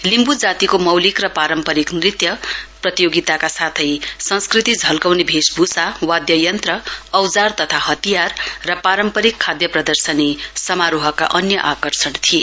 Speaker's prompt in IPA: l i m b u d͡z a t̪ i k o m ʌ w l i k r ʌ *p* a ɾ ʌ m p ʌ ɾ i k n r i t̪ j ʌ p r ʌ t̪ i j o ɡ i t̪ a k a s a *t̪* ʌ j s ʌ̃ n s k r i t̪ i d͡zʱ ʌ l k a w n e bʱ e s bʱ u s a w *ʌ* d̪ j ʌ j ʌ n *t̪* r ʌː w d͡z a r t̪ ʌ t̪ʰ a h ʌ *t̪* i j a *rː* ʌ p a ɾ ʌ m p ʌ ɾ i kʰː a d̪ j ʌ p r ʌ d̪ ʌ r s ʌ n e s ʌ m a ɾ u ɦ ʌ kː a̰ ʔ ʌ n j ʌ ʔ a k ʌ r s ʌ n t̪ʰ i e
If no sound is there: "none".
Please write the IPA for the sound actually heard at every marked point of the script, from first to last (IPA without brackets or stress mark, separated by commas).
p, t̪ʰ, a, t̪, t̪, rː